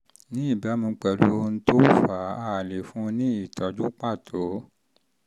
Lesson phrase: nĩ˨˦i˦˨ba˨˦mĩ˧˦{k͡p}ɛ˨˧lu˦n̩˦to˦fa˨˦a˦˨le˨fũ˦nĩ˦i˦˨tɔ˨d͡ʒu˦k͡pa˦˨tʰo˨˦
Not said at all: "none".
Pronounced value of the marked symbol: k͡p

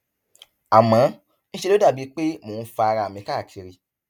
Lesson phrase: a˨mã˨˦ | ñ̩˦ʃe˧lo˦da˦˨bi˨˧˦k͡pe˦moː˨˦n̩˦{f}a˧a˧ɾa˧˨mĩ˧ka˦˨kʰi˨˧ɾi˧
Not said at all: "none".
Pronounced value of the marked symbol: f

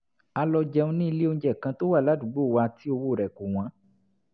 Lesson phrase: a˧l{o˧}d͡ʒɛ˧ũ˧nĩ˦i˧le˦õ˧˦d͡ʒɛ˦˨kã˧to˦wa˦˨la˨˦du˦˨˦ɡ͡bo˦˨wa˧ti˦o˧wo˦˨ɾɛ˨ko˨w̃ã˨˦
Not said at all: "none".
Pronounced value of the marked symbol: ɔ˧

